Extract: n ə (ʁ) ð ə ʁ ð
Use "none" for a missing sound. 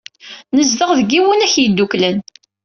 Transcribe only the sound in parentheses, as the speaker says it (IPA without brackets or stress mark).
z